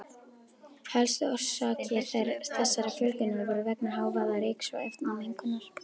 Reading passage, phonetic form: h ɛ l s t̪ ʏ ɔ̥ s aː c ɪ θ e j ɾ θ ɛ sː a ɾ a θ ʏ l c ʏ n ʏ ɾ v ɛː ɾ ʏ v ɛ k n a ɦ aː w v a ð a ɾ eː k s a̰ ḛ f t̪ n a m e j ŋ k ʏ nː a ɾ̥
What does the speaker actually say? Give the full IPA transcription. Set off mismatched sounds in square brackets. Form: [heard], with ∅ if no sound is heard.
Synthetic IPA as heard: h ɛ l s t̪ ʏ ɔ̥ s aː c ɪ θ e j ɾ θ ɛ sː a ɾ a [f] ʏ l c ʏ n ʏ ɾ v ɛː ɾ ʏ v ɛ k n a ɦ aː w v a ð a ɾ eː k s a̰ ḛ f t̪ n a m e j ŋ k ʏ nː a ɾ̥